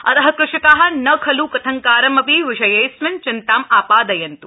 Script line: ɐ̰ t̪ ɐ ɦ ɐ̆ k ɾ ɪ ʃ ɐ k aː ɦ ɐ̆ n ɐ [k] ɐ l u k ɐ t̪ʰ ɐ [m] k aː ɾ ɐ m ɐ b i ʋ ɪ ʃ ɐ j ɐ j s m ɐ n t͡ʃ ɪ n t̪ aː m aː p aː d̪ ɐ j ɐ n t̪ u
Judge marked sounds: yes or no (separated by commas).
no, no